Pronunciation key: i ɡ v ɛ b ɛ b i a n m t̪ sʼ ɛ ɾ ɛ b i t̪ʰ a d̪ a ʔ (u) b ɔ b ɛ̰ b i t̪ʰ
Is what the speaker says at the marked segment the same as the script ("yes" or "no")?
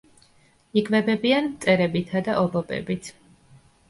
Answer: no